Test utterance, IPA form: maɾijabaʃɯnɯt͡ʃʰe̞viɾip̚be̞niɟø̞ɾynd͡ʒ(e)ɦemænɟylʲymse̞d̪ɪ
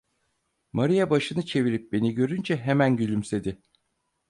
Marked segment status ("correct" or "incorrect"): incorrect